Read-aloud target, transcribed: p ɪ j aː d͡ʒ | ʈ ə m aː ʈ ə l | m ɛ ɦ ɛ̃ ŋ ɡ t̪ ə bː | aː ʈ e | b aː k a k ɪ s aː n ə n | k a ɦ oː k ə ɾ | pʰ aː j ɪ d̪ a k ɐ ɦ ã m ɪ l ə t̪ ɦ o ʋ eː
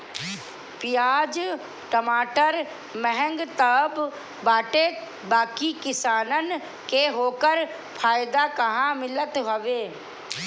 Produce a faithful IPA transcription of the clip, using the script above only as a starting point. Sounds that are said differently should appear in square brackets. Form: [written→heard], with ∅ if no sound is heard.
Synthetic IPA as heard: p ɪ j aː d͡ʒ | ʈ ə m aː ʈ ə [l→ɾ] | m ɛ ɦ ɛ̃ ŋ ɡ t̪ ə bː | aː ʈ e | b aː k [a→i] k ɪ s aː n ə n | k [a→e] ɦ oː k ə ɾ | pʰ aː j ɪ d̪ a k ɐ ɦ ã m ɪ l ə t̪ ɦ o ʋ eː